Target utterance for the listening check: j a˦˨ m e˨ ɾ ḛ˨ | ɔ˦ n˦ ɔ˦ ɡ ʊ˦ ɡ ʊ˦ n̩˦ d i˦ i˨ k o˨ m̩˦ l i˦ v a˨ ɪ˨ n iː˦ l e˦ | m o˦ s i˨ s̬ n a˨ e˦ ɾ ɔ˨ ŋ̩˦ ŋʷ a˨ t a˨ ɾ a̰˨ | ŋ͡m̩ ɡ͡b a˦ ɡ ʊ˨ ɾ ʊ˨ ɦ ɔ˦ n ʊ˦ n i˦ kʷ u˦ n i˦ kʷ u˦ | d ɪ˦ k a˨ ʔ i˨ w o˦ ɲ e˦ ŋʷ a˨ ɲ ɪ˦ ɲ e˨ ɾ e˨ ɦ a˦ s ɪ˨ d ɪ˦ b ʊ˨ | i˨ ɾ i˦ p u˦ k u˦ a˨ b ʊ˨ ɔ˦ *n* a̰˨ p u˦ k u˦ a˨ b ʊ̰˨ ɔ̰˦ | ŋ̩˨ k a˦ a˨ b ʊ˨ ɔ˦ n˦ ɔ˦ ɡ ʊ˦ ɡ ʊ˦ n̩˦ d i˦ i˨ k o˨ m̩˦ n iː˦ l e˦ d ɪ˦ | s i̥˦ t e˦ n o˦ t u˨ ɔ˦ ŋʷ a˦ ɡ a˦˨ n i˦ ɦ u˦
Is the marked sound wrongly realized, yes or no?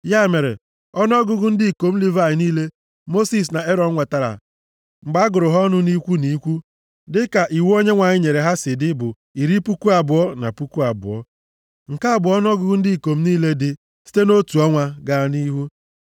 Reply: no